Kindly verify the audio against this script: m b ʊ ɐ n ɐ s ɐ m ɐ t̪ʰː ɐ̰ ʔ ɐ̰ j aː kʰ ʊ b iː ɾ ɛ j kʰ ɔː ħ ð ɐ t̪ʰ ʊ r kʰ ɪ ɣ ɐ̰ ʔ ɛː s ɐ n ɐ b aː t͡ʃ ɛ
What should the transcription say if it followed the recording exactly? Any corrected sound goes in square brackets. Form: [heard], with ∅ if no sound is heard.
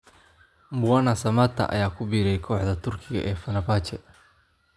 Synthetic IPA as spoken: m b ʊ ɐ n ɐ s ɐ m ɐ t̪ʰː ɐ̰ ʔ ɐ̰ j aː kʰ ʊ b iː ɾ ɛ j kʰ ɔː ħ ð ɐ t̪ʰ ʊ r kʰ ɪ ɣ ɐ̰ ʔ ɛː [f] ɐ n ɐ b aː t͡ʃ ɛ